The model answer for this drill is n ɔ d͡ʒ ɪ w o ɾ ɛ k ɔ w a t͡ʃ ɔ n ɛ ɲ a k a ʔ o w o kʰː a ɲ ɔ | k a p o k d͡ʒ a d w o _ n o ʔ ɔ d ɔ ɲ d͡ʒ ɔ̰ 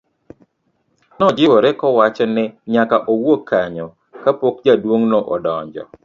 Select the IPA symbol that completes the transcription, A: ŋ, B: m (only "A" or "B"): A